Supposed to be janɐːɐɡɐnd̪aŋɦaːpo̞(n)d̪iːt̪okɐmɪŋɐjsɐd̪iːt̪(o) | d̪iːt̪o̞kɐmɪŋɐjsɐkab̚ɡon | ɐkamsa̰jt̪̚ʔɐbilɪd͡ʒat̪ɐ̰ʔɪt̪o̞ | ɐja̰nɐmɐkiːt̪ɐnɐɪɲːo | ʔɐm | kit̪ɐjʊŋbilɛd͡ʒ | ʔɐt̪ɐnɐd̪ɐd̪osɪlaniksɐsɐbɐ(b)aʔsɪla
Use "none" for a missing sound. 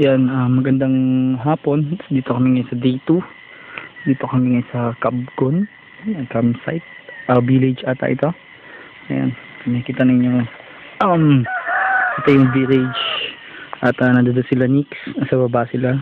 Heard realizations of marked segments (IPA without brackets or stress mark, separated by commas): n, u, b